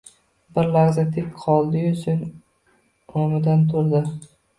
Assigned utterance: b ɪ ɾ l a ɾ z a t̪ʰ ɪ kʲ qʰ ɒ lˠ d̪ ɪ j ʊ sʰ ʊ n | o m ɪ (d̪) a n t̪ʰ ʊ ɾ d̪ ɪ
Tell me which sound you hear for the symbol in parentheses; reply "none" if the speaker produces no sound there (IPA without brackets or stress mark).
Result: d̪